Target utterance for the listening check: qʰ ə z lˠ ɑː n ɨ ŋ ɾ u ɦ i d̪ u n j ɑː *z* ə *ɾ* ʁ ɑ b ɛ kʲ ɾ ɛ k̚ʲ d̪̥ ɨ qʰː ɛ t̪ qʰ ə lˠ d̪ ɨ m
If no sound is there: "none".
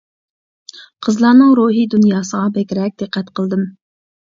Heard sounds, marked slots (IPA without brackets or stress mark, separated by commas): s, none